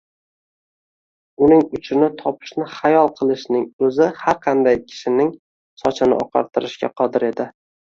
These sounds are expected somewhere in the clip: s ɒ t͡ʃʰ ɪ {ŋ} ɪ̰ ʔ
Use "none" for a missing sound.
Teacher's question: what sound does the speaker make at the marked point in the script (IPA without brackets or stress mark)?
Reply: n